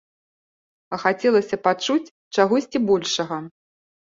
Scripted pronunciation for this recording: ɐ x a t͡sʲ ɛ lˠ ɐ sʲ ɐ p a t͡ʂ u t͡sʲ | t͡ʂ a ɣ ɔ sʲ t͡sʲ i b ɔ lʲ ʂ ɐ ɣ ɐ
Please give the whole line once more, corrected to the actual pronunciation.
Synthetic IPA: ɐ x a t͡sʲ ɛ lˠ ɐ sʲ ɐ p a t͡ʂ u t͡sʲ | t͡ʂ a ɣ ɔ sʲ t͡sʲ i b ɔ lʲ ʂ ɐ ɣ ɐ